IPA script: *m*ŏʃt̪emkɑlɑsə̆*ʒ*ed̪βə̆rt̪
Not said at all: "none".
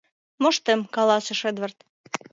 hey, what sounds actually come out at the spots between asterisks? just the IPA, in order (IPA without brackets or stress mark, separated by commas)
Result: m, ʃ